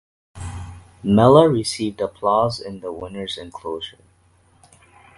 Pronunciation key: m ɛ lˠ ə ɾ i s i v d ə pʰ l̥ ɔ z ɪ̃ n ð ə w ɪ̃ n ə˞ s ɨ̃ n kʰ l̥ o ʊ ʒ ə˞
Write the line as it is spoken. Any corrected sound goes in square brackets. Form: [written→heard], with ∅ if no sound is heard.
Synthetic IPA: m ɛ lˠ ə [ɾ→ɹ] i s i v d ə pʰ l̥ ɔ z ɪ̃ n ð ə w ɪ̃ n ə˞ [s→z] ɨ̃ n kʰ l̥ o ʊ ʒ ə˞